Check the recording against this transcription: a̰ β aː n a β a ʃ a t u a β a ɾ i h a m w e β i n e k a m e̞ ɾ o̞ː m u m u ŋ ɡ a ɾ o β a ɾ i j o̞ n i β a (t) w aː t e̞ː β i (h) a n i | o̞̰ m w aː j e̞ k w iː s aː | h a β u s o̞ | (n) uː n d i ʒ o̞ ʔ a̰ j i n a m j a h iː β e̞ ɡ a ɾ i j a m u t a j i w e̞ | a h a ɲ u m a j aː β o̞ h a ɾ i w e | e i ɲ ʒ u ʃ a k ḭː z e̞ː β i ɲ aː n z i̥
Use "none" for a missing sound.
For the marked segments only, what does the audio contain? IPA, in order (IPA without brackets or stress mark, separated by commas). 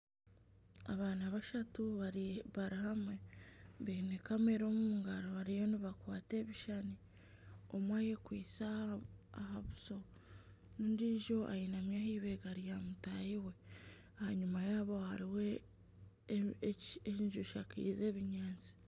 k, ʃ, n